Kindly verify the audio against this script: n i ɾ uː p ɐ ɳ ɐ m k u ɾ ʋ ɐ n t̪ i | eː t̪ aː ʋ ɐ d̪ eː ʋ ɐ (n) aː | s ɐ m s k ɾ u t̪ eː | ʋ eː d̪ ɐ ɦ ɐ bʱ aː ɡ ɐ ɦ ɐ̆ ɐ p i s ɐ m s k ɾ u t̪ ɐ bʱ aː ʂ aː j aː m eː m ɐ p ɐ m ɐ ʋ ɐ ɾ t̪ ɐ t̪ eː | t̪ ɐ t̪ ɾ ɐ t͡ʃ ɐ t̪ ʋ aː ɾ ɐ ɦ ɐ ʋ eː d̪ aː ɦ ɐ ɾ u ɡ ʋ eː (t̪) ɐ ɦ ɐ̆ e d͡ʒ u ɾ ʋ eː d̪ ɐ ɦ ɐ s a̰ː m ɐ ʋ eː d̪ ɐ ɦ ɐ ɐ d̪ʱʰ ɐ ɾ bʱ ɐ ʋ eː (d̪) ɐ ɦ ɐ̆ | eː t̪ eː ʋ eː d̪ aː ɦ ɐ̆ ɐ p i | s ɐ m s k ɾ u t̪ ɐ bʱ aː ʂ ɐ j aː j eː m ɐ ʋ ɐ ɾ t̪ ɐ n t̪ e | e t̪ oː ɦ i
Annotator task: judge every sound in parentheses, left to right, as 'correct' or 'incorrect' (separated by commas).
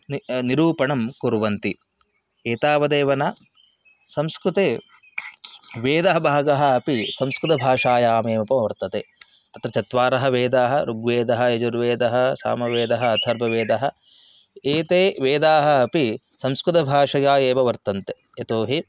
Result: correct, incorrect, correct